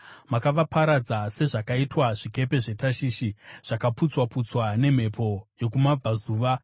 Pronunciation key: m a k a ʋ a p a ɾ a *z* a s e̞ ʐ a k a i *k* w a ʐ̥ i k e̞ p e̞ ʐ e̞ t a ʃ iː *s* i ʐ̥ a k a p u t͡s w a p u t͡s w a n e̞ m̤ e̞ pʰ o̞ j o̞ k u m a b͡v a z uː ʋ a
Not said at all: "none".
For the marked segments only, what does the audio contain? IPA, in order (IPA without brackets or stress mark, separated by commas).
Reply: d͡z, t, ʃ